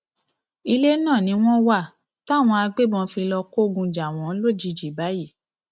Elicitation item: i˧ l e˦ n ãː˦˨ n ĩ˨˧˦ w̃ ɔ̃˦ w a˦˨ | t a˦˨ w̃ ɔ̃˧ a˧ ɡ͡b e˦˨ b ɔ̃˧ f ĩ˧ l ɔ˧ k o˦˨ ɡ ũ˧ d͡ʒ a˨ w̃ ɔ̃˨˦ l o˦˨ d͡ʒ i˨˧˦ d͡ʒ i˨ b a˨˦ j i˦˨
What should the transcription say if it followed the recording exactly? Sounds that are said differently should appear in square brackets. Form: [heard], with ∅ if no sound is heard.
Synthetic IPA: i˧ l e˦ n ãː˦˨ n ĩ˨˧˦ w̃ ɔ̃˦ w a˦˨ | t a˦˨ w̃ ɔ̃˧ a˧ ɡ͡b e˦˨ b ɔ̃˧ f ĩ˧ l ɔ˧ k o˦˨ ɡ ũ˧ d͡ʒ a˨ w̃ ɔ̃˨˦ l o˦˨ d͡ʒ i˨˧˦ d͡ʒ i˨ b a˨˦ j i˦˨

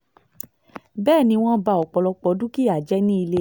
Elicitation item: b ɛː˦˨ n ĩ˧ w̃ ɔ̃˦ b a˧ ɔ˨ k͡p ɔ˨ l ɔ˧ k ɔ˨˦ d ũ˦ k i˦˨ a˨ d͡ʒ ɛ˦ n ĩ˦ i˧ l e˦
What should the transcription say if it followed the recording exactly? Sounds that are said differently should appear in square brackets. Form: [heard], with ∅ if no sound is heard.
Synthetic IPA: b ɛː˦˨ n ĩ˧ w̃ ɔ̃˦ b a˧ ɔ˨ k͡p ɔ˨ l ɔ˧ [k͡p] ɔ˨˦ d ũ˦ k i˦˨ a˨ d͡ʒ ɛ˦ n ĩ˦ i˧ l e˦

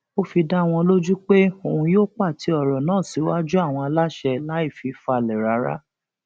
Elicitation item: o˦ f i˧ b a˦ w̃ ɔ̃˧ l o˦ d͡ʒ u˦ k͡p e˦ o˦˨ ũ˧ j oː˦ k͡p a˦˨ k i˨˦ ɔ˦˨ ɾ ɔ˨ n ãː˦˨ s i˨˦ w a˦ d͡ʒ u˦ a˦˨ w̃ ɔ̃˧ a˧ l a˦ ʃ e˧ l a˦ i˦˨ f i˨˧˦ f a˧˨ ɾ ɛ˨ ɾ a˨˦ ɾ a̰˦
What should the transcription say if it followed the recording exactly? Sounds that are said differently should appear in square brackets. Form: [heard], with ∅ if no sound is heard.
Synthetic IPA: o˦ f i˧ [d] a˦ w̃ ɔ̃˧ l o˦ d͡ʒ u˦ k͡p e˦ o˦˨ ũ˧ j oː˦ k͡p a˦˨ [t] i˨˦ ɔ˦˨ ɾ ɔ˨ n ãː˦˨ s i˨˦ w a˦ d͡ʒ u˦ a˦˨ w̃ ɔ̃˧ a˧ l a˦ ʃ [ɛ˧] l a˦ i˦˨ f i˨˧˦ f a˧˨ [l] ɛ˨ ɾ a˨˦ ɾ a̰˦

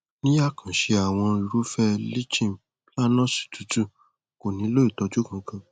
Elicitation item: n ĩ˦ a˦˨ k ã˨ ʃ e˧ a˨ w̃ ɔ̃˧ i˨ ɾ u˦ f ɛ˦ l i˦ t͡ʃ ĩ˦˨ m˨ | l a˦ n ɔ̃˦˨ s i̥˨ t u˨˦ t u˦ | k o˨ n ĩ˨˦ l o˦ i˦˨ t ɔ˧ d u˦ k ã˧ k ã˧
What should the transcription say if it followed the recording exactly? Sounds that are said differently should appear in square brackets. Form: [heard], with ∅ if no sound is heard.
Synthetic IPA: n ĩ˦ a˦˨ k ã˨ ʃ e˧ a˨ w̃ ɔ̃˧ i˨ ɾ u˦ f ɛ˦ l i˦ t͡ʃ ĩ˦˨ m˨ | l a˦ n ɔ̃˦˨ s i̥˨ t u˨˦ t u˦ | k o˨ n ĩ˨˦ l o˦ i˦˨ t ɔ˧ [d͡ʒ] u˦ k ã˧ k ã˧

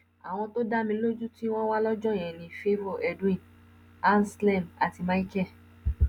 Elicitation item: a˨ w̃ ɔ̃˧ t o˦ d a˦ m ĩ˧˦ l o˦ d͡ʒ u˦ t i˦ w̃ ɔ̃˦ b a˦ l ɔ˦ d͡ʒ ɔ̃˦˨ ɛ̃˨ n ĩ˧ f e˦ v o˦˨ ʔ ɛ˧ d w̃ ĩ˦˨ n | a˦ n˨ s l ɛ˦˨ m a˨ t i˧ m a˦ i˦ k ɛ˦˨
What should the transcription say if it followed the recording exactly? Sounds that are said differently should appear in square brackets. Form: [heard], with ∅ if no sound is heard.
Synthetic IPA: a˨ w̃ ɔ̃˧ t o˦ d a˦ m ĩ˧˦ l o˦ d͡ʒ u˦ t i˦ w̃ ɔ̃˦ [w] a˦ l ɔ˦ d͡ʒ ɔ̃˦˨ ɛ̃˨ n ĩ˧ f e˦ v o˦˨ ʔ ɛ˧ d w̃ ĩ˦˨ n | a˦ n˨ s l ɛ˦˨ m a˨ t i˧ m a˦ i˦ k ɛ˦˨

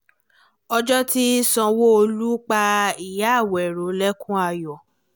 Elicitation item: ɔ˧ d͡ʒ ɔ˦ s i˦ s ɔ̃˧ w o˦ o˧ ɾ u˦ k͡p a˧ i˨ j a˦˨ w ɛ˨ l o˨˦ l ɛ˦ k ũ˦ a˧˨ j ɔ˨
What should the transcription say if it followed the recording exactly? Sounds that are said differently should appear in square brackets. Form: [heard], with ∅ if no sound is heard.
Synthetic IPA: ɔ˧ d͡ʒ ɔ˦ [t] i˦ s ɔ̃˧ w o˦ o˧ [l] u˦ k͡p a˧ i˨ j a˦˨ w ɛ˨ [ɾ] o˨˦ l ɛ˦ k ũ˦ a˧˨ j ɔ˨

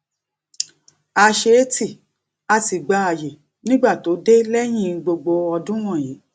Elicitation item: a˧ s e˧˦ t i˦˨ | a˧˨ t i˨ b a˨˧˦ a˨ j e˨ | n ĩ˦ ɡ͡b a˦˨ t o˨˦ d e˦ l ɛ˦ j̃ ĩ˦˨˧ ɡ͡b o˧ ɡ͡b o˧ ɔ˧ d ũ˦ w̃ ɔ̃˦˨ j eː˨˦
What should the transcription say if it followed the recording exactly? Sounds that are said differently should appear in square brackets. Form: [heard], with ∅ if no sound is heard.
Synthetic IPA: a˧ [ʃ] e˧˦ t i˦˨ | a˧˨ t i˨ [ɡ͡b] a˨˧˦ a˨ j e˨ | n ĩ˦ ɡ͡b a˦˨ t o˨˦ d e˦ l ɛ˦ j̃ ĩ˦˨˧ ɡ͡b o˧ ɡ͡b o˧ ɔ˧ d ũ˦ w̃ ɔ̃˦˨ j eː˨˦

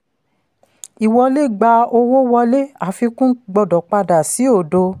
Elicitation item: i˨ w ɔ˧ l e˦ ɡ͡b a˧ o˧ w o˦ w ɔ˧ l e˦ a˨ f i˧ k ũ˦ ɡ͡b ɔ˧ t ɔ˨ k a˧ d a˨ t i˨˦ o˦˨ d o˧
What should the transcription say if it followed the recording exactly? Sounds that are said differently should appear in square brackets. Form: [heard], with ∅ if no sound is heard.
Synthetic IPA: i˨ w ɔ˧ l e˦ ɡ͡b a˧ o˧ w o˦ w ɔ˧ l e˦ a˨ f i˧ k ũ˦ ɡ͡b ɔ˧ [d] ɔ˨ [k͡p] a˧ d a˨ [s] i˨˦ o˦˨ d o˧

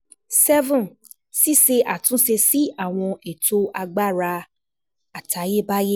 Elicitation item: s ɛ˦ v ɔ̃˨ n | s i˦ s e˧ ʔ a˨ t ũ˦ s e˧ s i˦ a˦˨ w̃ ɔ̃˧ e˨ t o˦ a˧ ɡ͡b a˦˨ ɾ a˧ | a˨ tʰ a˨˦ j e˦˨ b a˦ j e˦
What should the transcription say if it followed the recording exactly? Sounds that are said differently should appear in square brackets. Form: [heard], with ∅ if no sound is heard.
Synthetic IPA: s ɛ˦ v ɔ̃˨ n | s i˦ s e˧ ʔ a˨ t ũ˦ s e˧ s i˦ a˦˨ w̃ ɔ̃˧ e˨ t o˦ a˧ ɡ͡b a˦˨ ɾ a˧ | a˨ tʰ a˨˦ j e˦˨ b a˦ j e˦

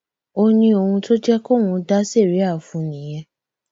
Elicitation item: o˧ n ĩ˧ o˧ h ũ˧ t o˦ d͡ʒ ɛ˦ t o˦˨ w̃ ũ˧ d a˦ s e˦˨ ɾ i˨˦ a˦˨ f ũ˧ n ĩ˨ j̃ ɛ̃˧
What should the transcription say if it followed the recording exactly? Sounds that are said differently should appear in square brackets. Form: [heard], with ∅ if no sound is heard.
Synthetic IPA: o˧ n ĩ˧ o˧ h ũ˧ t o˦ d͡ʒ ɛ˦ [k] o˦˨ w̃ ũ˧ d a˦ s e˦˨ ɾ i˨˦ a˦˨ f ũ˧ n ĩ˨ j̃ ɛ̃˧

